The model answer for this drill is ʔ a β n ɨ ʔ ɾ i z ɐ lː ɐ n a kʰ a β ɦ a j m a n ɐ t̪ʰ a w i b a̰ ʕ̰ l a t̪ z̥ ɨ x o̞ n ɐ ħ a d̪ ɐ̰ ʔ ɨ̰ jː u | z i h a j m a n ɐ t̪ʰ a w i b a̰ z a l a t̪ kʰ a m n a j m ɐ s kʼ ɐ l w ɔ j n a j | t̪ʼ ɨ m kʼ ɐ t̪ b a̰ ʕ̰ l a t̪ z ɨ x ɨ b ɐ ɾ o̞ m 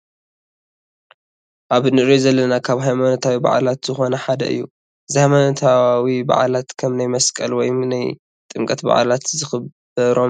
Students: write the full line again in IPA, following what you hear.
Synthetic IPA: ʔ a β n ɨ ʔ ɾ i z ɐ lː ɐ n a kʰ a β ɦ a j m a n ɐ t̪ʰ a w i b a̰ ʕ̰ l a t̪ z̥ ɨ x o̞ n ɐ ħ a d̪ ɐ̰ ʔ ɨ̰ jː u | z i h a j m a n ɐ t̪ʰ a w i b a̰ ʕ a l a t̪ kʰ ɐ m n a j m ɐ s kʼ ɐ l w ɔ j n a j | t̪ʼ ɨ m kʼ ɐ t̪ b a̰ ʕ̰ l a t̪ z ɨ x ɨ b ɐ ɾ o̞ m